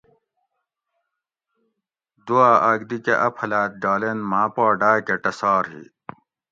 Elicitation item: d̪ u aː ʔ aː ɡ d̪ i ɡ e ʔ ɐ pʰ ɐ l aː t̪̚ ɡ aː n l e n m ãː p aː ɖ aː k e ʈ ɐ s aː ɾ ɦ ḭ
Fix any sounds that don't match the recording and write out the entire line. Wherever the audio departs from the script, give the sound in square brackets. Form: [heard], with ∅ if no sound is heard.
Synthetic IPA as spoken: d̪ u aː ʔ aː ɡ d̪ i [k] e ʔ ɐ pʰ ɐ l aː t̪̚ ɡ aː [∅] l e n m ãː p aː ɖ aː k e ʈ ɐ s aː ɾ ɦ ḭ